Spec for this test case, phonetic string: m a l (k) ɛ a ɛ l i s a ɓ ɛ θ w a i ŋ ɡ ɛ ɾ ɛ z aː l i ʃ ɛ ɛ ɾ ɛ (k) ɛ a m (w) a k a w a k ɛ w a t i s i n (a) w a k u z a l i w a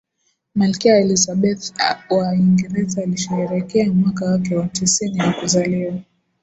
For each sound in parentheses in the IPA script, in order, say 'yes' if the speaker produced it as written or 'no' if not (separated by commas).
yes, yes, yes, no